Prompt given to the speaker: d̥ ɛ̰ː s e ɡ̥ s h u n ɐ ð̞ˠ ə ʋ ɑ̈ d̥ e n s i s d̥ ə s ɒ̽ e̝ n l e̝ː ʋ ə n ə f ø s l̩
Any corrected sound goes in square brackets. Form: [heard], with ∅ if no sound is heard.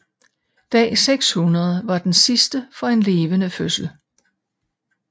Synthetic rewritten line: d̥ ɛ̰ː s e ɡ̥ s h u n ɐ ð̞ˠ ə ʋ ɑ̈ d̥ e n s i s d̥ ə [f] ɒ̽ e̝ n l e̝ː ʋ ə n ə f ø s l̩